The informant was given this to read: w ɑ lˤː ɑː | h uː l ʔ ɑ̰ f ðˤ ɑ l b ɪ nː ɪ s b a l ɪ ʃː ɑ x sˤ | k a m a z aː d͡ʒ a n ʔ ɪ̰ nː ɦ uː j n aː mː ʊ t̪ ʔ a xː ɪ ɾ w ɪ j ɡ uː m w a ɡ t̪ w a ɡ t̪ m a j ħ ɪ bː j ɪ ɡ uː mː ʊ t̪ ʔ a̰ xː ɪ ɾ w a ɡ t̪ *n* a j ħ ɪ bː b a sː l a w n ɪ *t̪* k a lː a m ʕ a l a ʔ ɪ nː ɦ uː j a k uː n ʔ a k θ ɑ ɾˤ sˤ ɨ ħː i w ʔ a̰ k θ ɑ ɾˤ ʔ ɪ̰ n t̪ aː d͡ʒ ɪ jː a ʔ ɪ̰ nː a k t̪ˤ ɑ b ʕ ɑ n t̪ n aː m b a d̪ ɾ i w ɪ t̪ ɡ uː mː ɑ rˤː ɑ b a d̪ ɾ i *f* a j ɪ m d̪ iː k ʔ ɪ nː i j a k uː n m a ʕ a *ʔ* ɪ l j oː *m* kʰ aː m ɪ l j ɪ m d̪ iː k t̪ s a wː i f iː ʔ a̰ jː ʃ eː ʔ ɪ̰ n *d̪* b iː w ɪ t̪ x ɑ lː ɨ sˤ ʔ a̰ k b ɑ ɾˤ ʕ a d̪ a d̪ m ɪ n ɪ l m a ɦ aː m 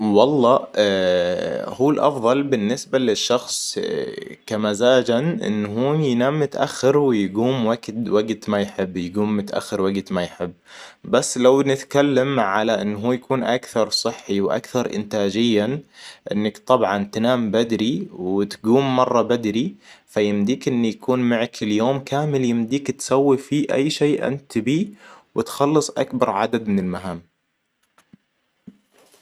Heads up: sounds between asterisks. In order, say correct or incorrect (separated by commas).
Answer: incorrect, correct, correct, incorrect, correct, incorrect